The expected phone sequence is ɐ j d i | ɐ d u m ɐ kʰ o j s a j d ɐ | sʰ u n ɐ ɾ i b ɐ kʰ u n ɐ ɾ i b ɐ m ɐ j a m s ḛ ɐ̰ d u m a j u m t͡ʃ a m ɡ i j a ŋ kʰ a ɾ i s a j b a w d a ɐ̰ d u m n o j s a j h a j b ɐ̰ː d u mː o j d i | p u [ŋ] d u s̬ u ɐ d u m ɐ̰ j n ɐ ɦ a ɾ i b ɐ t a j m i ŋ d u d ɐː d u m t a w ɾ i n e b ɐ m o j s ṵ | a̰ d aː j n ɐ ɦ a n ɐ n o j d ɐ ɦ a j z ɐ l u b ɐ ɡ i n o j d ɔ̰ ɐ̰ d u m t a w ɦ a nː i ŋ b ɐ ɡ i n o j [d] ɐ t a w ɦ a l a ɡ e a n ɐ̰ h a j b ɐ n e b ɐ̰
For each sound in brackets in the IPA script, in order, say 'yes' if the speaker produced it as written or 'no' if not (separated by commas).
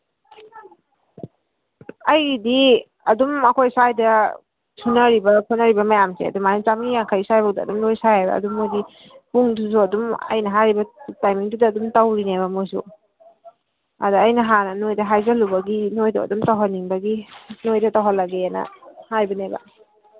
yes, yes